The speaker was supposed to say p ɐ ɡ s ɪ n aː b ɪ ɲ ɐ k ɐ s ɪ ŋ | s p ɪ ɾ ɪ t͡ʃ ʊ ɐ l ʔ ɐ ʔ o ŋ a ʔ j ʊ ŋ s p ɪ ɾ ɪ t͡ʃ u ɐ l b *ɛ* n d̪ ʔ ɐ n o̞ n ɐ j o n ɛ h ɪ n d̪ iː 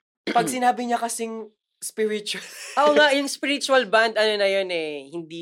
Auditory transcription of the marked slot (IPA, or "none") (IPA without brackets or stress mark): a